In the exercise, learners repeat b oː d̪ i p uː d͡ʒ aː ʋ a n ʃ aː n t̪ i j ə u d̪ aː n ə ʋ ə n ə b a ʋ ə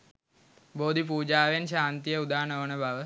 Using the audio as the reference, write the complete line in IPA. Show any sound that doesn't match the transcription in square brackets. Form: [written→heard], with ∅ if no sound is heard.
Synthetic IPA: b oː d̪ i p uː d͡ʒ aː ʋ [a→e] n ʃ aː n t̪ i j ə u d̪ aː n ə ʋ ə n ə b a ʋ ə